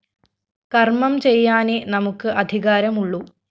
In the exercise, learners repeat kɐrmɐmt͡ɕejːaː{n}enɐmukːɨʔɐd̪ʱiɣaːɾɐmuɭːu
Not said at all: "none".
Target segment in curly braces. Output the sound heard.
n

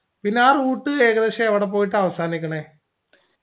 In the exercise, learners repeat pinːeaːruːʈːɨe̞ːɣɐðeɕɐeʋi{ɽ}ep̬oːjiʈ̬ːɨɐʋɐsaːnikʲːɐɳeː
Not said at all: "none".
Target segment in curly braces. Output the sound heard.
ɽ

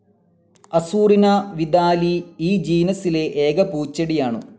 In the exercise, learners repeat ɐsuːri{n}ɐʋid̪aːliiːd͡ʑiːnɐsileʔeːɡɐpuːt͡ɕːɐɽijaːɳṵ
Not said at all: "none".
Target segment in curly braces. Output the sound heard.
n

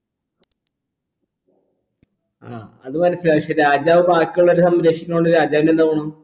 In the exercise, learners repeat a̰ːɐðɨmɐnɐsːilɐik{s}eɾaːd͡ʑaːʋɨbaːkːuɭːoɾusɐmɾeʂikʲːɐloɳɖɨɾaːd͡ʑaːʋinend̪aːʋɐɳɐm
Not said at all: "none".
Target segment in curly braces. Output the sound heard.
ʂ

